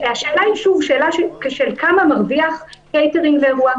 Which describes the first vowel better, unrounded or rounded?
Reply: unrounded